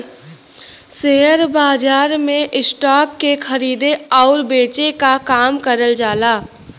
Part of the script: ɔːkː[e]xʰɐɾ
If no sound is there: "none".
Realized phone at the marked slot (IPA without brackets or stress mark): e